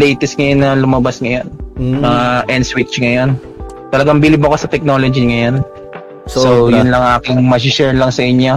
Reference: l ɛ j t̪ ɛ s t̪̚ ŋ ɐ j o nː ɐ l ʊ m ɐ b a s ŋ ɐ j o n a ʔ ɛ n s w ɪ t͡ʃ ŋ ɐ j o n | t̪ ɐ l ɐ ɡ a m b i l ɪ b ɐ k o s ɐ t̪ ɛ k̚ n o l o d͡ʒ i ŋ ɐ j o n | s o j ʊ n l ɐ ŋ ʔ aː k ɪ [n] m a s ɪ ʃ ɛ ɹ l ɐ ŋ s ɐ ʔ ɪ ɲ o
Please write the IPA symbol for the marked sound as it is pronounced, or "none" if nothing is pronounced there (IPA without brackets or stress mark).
ŋ